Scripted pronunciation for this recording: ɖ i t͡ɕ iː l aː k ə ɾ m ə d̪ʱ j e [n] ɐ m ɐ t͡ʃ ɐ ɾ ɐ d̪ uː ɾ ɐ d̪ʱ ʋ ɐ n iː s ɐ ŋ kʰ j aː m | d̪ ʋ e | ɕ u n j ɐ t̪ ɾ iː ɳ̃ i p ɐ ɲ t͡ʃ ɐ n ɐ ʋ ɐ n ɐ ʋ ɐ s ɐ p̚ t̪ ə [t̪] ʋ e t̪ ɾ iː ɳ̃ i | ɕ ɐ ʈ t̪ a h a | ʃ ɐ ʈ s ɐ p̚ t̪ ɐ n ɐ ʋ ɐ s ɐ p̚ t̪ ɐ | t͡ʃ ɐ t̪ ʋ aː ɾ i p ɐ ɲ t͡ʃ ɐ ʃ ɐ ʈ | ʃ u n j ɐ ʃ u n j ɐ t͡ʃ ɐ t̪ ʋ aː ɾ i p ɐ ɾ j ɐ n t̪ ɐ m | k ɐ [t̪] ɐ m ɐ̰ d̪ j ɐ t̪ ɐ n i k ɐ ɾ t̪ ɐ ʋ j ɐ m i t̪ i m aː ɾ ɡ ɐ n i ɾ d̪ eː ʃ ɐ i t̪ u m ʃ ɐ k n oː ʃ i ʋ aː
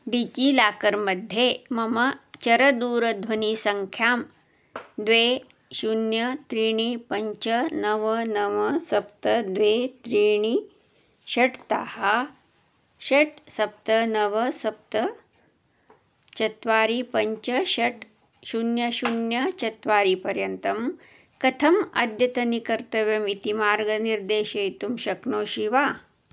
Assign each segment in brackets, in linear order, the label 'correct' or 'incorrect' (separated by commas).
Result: incorrect, incorrect, incorrect